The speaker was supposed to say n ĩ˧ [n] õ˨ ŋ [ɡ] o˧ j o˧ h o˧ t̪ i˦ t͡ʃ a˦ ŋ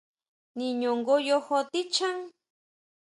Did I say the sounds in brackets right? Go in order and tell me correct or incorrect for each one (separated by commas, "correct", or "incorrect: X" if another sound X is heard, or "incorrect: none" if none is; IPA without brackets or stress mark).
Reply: incorrect: ɲ, correct